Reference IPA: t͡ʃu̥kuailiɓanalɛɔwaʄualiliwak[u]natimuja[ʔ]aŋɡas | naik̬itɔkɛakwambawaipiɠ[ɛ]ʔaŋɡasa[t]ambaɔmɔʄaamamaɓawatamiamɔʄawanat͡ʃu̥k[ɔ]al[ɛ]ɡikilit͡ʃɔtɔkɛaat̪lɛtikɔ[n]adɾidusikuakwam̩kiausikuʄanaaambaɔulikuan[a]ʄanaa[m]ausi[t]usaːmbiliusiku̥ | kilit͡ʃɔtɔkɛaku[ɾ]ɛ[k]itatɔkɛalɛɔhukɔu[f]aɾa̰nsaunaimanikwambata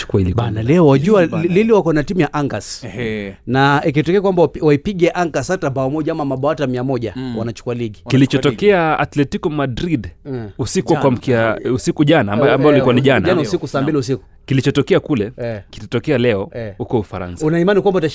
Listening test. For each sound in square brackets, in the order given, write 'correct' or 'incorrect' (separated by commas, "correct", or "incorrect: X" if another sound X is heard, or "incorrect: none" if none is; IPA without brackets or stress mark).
incorrect: ɔ, correct, correct, correct, incorrect: u, incorrect: i, incorrect: m, incorrect: i, incorrect: n, incorrect: k, incorrect: l, correct, correct